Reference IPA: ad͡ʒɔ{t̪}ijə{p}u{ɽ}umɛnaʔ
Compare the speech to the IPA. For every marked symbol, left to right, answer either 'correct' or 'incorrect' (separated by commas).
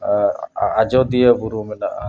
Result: incorrect, incorrect, incorrect